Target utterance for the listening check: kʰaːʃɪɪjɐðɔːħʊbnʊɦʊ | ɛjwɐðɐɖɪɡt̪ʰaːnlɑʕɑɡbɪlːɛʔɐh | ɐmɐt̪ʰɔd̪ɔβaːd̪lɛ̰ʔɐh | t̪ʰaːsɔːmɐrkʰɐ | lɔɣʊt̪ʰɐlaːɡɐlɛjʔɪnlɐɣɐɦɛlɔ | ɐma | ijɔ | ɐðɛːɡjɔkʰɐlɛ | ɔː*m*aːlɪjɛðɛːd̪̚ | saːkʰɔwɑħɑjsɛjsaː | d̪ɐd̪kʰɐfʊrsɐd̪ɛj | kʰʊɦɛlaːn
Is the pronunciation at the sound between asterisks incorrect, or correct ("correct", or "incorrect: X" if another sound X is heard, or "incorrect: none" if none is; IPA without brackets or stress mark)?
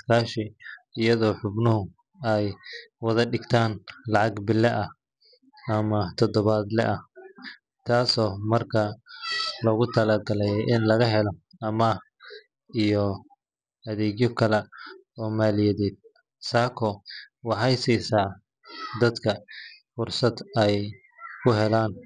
correct